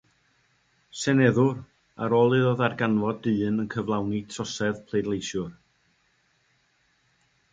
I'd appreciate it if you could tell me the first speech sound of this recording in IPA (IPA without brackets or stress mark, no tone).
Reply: s